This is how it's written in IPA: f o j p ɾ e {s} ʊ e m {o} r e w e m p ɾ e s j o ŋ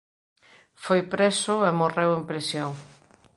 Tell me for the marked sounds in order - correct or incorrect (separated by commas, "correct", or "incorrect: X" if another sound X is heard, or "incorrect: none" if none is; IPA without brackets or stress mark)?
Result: correct, correct